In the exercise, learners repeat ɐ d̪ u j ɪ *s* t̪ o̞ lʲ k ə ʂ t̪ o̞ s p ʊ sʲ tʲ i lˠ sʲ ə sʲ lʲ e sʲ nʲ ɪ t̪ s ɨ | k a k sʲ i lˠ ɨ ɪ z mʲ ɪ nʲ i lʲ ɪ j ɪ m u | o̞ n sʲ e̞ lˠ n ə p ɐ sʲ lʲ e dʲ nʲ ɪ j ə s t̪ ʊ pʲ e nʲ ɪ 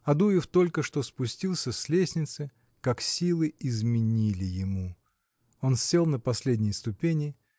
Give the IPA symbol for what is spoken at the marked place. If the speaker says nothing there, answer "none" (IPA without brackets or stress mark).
f